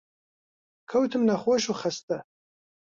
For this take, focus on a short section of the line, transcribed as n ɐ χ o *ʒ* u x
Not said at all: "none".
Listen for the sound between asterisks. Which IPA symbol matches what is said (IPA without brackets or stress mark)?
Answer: ʃ